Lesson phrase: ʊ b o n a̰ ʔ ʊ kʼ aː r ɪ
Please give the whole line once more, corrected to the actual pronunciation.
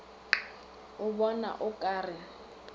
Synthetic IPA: ʊ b ɔ n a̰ ʔ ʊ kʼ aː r ɪ

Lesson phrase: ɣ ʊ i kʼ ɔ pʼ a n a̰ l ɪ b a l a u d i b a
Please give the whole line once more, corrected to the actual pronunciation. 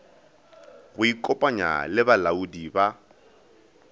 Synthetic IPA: ɣ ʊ i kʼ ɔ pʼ a ɲ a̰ l ɪ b a l a u d i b a

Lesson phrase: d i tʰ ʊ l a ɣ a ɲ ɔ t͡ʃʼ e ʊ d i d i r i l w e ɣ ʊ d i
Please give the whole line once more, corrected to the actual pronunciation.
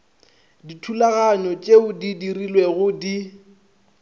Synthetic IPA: d i tʰ u l a ɣ a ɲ ɔ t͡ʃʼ e ʊ d i d i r i l w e ɣ ʊ d i

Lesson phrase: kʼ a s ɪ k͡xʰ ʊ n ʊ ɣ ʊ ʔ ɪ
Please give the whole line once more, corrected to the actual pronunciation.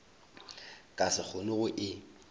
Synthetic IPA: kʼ a s ɪ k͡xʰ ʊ n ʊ ɣ ʊ ʔ ɪ

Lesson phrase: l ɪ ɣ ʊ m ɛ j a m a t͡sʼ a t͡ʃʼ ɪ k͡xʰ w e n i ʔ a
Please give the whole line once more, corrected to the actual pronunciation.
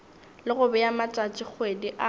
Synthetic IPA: l ɪ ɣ ʊ b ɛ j a m a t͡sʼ a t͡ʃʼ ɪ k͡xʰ w e d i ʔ a

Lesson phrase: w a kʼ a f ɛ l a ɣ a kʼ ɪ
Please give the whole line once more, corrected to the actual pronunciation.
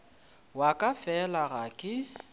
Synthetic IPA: w a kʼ a f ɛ l a ɣ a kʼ ɪ

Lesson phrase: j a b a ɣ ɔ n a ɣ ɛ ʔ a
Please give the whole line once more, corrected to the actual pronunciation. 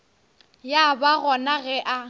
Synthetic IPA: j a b a ɣ ɔ n a ɣ ɛ ʔ a

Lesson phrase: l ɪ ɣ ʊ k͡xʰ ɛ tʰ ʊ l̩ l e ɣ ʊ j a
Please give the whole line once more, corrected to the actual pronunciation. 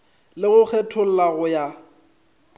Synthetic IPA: l ɪ ɣ ʊ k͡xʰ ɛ tʰ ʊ l̩ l a ɣ ʊ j a

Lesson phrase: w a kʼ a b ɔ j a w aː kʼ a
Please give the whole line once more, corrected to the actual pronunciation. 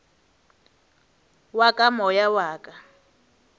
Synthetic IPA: w a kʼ a m ɔ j a w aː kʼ a

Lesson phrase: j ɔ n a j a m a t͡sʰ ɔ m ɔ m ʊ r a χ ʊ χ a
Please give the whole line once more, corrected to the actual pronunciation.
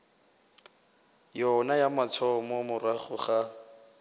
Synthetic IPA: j ɔ n a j a m a t͡sʰ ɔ m ɔ m ʊ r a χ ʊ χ a

